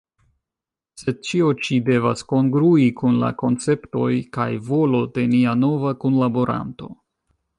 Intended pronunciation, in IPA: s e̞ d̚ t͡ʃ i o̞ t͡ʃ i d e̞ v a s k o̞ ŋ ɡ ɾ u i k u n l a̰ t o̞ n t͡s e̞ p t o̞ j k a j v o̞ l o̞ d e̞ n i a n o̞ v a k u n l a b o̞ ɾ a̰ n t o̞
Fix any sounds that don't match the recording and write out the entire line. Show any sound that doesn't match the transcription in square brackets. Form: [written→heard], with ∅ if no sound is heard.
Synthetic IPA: s e̞ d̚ t͡ʃ i o̞ t͡ʃ i d e̞ v a s k o̞ ŋ ɡ ɾ u i k u n l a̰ [t→k] o̞ n t͡s e̞ p t o̞ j k a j v o̞ l o̞ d e̞ n i a n o̞ v a k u n l a b o̞ ɾ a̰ n t o̞